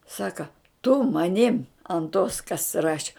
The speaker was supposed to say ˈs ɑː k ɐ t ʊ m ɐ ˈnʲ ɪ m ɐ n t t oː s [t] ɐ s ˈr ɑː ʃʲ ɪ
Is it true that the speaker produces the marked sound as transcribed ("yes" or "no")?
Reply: no